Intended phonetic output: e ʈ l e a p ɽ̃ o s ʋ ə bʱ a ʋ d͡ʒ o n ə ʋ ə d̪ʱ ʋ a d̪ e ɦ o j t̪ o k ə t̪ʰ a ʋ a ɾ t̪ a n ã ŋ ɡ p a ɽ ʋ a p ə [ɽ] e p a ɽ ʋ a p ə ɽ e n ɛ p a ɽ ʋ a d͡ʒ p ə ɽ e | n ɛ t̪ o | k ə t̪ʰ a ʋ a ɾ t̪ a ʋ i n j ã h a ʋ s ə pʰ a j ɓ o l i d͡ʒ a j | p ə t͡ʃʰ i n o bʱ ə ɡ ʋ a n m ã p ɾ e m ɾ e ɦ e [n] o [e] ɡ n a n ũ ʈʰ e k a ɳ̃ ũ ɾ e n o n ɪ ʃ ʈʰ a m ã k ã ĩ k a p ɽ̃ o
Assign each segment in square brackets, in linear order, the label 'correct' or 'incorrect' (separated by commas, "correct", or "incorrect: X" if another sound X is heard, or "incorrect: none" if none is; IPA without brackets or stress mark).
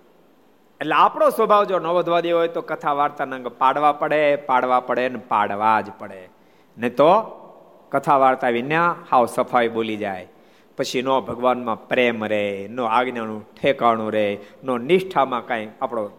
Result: correct, correct, incorrect: a